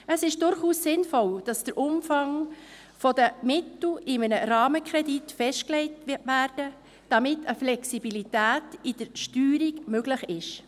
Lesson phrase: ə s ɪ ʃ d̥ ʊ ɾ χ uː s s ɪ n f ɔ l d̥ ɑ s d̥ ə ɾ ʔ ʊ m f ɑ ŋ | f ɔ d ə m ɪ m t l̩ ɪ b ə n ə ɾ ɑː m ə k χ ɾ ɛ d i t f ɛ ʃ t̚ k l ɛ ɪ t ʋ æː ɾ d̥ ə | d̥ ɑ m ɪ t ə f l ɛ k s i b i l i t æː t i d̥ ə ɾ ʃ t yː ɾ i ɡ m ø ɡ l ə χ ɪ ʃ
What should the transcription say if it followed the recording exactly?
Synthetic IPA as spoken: ə s ɪ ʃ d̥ ʊ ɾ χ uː s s ɪ n f ɔ l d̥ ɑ s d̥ ə ɾ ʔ ʊ m f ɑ ŋ | f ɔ d ə m ɪ t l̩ ɪ m ə n ə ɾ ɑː m ə k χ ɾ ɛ d i t f ɛ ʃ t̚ k l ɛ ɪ t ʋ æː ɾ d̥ ə | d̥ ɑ m ɪ t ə f l ɛ k s i b i l i t æː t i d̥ ə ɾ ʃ t yː ɾ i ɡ m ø ɡ l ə χ ɪ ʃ